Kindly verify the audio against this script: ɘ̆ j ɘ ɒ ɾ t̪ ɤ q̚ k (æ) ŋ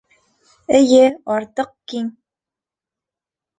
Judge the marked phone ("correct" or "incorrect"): incorrect